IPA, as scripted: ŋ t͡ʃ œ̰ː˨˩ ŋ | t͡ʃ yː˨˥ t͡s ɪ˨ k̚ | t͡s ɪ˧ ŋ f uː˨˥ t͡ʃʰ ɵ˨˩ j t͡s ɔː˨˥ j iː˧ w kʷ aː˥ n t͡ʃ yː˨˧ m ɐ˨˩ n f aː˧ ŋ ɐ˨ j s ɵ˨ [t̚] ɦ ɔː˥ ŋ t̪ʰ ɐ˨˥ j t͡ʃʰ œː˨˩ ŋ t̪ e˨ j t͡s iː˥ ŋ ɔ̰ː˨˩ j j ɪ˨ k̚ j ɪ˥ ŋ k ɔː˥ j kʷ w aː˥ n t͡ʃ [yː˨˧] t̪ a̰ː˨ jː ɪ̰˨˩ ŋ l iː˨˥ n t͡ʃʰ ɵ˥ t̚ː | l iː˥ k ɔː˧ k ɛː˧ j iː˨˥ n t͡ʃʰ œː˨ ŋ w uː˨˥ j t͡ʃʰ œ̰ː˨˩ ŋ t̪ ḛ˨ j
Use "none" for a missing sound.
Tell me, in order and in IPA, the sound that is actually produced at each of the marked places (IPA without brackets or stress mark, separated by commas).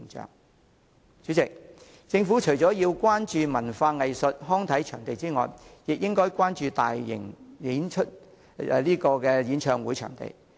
t̚, yː˨˧